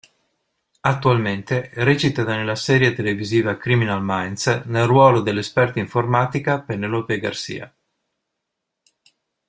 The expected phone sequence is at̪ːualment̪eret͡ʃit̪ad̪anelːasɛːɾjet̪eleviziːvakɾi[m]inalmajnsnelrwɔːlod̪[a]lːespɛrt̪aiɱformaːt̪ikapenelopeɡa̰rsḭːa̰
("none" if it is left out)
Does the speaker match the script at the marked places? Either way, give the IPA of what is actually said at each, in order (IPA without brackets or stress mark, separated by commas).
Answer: m, e